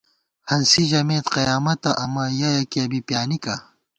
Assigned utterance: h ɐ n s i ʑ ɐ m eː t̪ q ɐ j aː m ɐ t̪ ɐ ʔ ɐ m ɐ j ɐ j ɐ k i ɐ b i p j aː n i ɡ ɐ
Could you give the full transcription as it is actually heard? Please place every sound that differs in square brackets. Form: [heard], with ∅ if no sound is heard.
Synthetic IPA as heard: h ɐ n s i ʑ ɐ m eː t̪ q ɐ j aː m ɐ t̪ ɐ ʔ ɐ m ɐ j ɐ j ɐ k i ɐ b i p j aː n i [k] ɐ